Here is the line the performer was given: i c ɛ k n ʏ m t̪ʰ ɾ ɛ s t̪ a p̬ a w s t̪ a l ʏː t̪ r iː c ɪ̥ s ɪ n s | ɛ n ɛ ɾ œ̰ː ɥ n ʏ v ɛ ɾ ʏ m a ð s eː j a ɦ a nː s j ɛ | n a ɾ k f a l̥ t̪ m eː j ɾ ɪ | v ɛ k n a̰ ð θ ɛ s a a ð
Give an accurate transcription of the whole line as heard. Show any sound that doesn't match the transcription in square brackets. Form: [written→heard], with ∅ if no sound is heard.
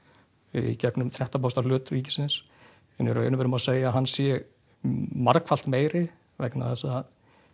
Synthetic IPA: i c ɛ k n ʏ m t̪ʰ ɾ ɛ [s→h] t̪ a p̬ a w s t̪ a l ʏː t̪ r iː c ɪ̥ s ɪ n s | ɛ n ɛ ɾ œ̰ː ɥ n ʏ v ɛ ɾ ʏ m a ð s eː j a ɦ a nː s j ɛ | [n→m] a ɾ k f a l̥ t̪ m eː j ɾ ɪ | v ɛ k n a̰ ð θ ɛ s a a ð

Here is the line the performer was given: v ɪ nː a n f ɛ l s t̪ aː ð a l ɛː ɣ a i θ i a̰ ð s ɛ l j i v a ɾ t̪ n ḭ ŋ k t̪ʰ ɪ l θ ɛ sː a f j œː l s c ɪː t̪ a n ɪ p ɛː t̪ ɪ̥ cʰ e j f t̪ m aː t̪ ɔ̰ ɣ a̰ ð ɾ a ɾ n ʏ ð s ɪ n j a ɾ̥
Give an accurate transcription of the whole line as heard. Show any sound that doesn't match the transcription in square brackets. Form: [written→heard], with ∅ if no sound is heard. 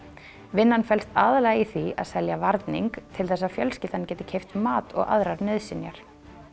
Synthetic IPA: v ɪ nː a n f ɛ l s t̪ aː ð a l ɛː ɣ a i θ i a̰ ð s ɛ l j [i→a] v a ɾ t̪ n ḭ ŋ k t̪ʰ ɪ l θ ɛ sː a f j [œː→œ] l s c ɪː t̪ a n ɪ [p→c] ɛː t̪ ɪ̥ cʰ e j f t̪ m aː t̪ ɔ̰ ɣ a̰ ð ɾ a ɾ n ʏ ð s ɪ n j a ɾ̥

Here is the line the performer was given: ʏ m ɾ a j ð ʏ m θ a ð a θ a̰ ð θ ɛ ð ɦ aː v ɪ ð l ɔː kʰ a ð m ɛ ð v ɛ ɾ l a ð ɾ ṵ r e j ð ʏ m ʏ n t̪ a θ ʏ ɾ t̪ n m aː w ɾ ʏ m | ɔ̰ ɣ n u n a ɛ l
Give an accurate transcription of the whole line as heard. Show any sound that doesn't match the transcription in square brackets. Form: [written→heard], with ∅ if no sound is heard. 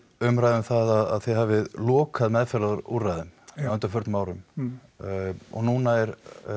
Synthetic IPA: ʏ m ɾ a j ð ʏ m θ a ð a [θ→ð] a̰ ð θ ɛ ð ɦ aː v ɪ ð l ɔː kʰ a ð m ɛ ð [v→f] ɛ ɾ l a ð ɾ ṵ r [e→a] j ð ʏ m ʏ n t̪ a [θ→f] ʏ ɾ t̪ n m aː w ɾ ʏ m | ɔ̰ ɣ n u n a ɛ [l→ɾ]

